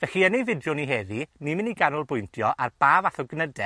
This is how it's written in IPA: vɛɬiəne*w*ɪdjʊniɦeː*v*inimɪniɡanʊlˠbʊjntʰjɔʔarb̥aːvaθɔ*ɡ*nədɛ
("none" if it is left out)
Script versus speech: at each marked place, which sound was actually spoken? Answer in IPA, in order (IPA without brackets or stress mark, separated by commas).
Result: v, ð, ɡ